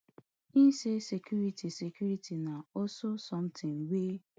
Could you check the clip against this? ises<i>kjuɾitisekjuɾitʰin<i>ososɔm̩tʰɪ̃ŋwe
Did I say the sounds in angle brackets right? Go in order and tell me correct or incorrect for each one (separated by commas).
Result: incorrect, incorrect